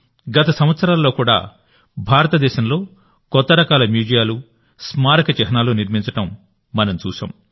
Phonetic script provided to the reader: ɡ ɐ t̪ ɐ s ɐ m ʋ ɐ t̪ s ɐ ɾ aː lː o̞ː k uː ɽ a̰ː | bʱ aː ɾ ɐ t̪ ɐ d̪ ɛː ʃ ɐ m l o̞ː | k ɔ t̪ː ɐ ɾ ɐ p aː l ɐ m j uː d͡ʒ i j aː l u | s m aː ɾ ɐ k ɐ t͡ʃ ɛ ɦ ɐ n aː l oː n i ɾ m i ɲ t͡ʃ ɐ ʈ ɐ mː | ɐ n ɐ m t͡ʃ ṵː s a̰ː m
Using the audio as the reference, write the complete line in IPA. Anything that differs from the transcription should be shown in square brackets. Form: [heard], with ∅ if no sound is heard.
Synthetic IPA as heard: ɡ ɐ t̪ ɐ s ɐ m ʋ ɐ t̪ s ɐ ɾ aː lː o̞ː k uː ɽ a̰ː | bʱ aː ɾ ɐ t̪ ɐ d̪ ɛː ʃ ɐ m l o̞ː | k ɔ t̪ː ɐ ɾ ɐ [k] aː l ɐ m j uː d͡ʒ i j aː l u | s m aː ɾ ɐ k ɐ t͡ʃ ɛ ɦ ɐ n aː l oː n i ɾ m i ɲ t͡ʃ ɐ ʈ ɐ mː | ɐ n ɐ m t͡ʃ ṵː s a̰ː m